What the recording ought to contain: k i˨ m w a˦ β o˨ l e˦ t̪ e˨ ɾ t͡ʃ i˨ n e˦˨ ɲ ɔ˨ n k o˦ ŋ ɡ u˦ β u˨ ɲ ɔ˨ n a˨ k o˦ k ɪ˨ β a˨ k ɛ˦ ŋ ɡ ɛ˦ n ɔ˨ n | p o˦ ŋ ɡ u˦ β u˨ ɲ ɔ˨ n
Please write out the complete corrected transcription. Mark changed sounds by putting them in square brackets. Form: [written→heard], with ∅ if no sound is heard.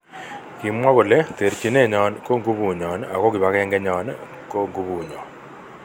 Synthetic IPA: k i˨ m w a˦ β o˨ l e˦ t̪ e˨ ɾ t͡ʃ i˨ n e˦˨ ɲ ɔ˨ n k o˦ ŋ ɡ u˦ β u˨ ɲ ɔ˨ n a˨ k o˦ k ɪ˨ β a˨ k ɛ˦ ŋ ɡ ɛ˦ [n→ɲ] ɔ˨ n | [p→k] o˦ ŋ ɡ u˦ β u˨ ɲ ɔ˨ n

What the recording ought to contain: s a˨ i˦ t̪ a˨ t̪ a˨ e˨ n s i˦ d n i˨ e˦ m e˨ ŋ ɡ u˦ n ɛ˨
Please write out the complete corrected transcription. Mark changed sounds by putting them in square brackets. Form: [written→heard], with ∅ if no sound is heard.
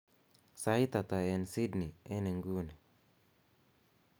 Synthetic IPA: s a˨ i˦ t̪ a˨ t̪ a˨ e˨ n s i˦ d n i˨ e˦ [m→n] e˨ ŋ ɡ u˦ n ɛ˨

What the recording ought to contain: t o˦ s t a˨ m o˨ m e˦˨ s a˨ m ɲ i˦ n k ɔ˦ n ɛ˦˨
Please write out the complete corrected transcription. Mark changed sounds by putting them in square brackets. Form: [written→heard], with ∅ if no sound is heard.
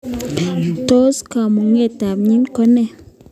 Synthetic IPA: t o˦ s [t→k] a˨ m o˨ [m→ŋ] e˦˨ [s→t] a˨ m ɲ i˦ n k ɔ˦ n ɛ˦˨

